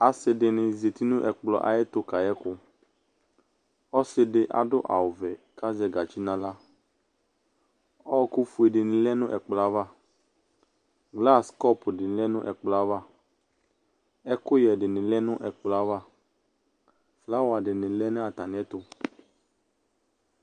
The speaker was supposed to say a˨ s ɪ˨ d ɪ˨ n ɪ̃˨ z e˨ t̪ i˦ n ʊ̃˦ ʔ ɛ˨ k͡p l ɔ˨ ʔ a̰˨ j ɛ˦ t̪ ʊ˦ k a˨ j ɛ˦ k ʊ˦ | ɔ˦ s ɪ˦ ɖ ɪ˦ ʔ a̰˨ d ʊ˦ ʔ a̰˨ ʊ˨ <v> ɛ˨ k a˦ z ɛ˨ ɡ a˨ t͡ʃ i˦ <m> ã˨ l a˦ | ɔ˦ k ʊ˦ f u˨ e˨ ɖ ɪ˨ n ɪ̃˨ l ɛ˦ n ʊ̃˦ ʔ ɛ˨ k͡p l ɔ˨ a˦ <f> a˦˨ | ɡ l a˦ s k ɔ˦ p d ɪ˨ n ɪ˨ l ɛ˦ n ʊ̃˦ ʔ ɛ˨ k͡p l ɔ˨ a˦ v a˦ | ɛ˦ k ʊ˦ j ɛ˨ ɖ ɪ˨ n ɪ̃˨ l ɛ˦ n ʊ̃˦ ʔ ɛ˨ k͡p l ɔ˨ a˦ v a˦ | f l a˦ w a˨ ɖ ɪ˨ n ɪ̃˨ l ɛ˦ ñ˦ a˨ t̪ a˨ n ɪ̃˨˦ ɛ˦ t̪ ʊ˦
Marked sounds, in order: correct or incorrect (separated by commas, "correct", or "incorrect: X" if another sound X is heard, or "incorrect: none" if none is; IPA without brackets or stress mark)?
correct, incorrect: n, incorrect: v